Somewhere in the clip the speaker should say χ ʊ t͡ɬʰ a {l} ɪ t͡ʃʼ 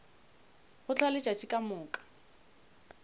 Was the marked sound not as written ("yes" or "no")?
no